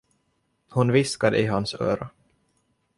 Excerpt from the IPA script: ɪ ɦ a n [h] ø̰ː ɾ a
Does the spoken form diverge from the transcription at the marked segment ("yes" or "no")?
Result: yes